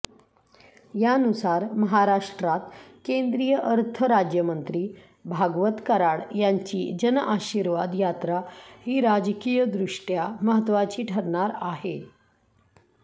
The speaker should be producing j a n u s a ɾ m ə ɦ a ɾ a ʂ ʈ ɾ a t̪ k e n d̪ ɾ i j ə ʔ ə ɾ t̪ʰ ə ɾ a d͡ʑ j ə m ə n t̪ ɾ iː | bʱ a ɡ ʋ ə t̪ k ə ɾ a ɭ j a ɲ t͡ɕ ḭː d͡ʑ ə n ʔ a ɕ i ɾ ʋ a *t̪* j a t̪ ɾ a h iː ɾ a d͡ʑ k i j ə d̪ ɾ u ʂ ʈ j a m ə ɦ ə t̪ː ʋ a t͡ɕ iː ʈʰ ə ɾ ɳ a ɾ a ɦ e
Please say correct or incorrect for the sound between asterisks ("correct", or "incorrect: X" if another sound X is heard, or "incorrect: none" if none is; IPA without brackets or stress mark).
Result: incorrect: d̪